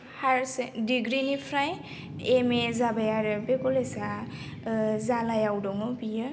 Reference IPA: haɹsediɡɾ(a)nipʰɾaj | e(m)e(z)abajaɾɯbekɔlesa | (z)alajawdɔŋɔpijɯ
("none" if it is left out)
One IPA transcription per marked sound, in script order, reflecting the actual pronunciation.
i, m, z, z

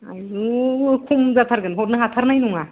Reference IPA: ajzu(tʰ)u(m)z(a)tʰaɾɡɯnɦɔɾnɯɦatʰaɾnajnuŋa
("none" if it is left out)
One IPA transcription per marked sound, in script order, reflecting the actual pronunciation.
kʰ, m, a

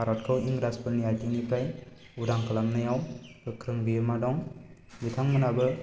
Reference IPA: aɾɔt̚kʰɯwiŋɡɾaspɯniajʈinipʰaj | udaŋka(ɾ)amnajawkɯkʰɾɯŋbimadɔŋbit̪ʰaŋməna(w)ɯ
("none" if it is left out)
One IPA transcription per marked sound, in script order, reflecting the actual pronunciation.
l, b

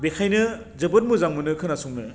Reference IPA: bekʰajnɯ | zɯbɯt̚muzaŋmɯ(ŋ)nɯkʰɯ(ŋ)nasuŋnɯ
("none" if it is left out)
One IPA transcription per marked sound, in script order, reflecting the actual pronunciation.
none, none

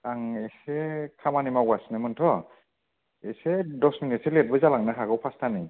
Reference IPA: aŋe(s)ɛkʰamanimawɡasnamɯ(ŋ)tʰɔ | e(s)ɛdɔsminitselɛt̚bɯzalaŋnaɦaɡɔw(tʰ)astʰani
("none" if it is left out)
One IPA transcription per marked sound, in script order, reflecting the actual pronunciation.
s, n, s, pʰ

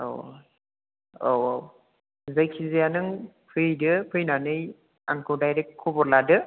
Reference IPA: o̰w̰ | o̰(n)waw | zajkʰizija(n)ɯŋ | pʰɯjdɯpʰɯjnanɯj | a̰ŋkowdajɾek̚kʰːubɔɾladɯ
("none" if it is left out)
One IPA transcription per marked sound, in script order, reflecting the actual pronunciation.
none, n

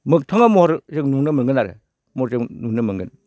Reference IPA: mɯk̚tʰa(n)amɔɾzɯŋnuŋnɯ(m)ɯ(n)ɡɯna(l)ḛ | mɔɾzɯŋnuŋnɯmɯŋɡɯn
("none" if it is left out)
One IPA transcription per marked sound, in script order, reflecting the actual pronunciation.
ŋ, m, ŋ, ɾ

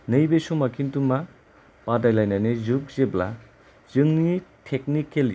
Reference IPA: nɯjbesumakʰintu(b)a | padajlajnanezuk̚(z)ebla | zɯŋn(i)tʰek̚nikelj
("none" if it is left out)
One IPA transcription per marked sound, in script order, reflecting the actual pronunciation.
m, z, i

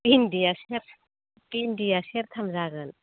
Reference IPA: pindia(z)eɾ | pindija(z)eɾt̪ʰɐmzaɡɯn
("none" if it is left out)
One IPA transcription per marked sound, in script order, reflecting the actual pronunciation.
s, s

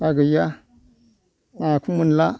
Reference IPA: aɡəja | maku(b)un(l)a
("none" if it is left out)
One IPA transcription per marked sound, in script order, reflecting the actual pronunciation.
m, l

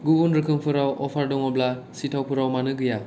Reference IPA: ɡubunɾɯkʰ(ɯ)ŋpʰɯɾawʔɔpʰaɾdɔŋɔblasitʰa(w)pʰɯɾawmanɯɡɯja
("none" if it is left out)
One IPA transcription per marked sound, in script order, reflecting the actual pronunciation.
ɯ, w

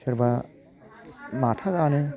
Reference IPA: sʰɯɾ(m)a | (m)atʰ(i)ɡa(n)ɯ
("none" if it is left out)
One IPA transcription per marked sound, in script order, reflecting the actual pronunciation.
b, m, a, n

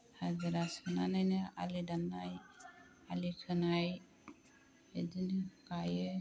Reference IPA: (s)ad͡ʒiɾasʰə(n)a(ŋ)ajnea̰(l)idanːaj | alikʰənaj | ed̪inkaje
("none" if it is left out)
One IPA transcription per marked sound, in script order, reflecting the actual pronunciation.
h, n, n, l

